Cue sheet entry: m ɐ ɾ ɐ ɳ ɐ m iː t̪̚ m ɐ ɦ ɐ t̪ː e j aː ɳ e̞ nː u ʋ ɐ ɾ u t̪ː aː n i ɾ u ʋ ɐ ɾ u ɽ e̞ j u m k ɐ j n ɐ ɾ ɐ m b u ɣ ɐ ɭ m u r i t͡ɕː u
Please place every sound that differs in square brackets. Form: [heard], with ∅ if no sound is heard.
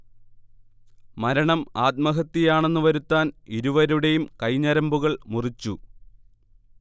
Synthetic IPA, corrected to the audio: m ɐ ɾ ɐ ɳ ɐ m [aː] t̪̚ m ɐ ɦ ɐ t̪ː [i] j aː ɳ e̞ nː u ʋ ɐ ɾ u t̪ː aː n i ɾ u ʋ ɐ ɾ u ɽ e̞ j u m k ɐ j [ɲ] ɐ ɾ ɐ m b u ɣ ɐ ɭ m u r i t͡ɕː u

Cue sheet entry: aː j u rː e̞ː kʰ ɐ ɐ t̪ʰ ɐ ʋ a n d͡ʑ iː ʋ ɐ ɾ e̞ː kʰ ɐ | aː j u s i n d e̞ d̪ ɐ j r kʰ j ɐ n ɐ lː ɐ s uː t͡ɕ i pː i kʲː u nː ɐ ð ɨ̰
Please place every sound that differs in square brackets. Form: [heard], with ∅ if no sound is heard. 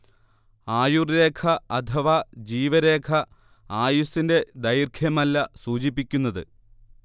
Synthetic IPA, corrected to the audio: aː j u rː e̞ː kʰ ɐ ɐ t̪ʰ ɐ ʋ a [∅] d͡ʑ iː ʋ ɐ ɾ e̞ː kʰ ɐ | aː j u s i n d e̞ d̪ ɐ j r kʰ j ɐ [m] ɐ lː ɐ s uː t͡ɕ i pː i kʲː u nː ɐ ð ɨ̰

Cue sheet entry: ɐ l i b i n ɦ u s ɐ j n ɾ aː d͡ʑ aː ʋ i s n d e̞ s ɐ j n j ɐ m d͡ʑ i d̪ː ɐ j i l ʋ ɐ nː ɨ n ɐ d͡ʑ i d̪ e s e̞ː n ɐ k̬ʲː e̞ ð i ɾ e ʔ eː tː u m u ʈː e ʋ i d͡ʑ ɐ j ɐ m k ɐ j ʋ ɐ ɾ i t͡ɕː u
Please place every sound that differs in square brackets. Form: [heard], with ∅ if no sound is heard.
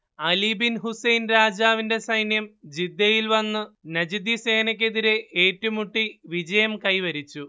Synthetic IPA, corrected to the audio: ɐ l i b i n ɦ u s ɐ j n ɾ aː d͡ʑ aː ʋ i [∅] n d e̞ s ɐ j n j ɐ m d͡ʑ i d̪ː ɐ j i l ʋ ɐ nː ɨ n ɐ d͡ʑ i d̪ [i] s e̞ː n ɐ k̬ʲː e̞ ð i ɾ e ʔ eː tː u m u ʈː [i] ʋ i d͡ʑ ɐ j ɐ m k ɐ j ʋ ɐ ɾ i t͡ɕː u

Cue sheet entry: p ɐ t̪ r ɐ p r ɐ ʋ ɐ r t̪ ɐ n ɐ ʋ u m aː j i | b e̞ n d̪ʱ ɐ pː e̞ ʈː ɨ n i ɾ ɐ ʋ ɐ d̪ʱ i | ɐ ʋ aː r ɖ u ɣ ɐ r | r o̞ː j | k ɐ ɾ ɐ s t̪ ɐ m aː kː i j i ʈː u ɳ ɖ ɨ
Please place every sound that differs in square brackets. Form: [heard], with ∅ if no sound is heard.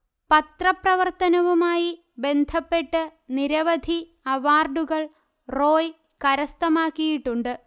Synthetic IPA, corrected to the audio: p ɐ t̪ r ɐ p r ɐ ʋ ɐ r t̪ ɐ n ɐ ʋ u m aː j i | b e̞ n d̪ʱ ɐ pː e̞ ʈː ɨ n i ɾ ɐ ʋ ɐ d̪ʱ i | ɐ ʋ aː r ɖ u ɣ ɐ [ɭ] | r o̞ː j | k ɐ ɾ ɐ s t̪ ɐ m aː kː i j i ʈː u ɳ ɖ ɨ

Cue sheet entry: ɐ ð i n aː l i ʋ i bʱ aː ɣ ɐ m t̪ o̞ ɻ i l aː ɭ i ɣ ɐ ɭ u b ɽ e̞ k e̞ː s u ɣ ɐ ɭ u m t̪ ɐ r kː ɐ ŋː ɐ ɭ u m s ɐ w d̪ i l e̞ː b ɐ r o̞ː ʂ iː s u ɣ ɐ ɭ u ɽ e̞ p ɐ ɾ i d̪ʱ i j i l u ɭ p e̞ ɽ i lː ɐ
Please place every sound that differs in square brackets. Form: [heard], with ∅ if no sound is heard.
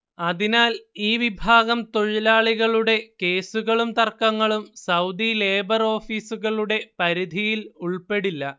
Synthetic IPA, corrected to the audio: ɐ ð i n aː l [iː] ʋ i bʱ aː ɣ ɐ m t̪ o̞ ɻ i l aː ɭ i ɣ ɐ ɭ u [∅] ɽ e̞ k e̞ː s u ɣ ɐ ɭ u m t̪ ɐ r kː ɐ ŋː ɐ ɭ u m s ɐ w d̪ i l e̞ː b ɐ r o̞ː [f] iː s u ɣ ɐ ɭ u ɽ e̞ p ɐ ɾ i d̪ʱ i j i l u ɭ p e̞ ɽ i lː ɐ

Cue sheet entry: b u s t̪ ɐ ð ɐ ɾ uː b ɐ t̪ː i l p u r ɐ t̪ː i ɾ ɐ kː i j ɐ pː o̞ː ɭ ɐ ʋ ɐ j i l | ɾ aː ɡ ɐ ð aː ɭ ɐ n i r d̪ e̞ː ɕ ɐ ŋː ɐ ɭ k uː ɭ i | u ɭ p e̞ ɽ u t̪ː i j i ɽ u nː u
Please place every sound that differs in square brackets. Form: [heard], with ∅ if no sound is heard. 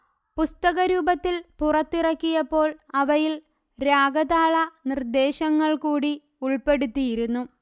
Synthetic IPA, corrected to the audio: [p] u s t̪ ɐ [ɣ] ɐ ɾ uː b ɐ t̪ː i l p u r ɐ t̪ː i [r] ɐ kː i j ɐ pː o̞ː ɭ ɐ ʋ ɐ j i l | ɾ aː ɡ ɐ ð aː ɭ ɐ n i r d̪ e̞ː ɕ ɐ ŋː ɐ ɭ k uː [ɽ] i | u ɭ p e̞ ɽ u t̪ː i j i [ɾ] u nː u

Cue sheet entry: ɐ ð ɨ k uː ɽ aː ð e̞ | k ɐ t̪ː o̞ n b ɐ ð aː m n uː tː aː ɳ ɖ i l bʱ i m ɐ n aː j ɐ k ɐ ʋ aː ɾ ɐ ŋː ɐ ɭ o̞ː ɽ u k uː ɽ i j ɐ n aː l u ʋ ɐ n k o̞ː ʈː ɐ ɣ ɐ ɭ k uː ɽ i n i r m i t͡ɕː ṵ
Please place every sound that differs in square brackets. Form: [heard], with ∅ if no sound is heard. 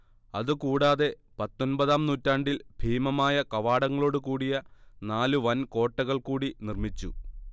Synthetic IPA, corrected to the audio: ɐ ð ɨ k uː ɽ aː ð e̞ | [p] ɐ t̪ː o̞ n b ɐ ð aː m n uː tː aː ɳ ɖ i l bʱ [iː] m ɐ [m] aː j ɐ k ɐ ʋ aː [ɽ] ɐ ŋː ɐ ɭ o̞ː ɽ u k uː ɽ i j ɐ n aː l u ʋ ɐ n k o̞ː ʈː ɐ ɣ ɐ ɭ k uː ɽ i n i r m i t͡ɕː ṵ

